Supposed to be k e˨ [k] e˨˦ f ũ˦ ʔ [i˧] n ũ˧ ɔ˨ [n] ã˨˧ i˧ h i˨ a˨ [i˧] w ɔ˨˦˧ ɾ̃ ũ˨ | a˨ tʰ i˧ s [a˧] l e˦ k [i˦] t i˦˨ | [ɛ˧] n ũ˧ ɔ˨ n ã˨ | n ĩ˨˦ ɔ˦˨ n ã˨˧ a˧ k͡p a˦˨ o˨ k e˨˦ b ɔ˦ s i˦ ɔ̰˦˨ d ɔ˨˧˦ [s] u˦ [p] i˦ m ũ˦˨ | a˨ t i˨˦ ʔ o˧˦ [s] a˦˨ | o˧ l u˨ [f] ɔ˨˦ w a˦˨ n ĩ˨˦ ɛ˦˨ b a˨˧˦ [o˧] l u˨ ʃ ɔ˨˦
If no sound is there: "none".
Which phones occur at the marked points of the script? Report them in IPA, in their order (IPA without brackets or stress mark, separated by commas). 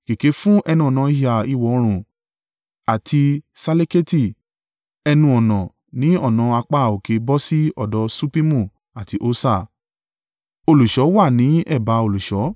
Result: k, ɛ˧, n, i˧, a˧, e˦, ɛ˧, s, p, s, ʃ, o˧